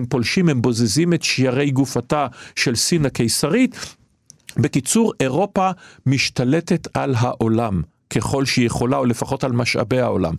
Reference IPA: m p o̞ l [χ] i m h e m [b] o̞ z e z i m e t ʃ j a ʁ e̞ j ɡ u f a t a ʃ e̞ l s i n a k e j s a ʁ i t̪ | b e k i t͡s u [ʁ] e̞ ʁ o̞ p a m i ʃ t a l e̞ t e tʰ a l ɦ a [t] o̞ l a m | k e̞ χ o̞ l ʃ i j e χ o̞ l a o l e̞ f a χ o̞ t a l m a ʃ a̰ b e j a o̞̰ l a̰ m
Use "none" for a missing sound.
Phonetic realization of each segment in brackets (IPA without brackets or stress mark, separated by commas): ʃ, b, ʁ, ʔ